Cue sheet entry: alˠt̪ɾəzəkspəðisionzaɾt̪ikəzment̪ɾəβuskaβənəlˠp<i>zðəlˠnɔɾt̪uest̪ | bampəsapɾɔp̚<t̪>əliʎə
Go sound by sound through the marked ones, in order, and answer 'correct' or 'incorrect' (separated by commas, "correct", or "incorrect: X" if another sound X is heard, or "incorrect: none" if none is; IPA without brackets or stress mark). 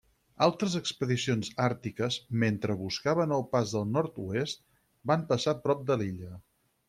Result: incorrect: a, incorrect: d̪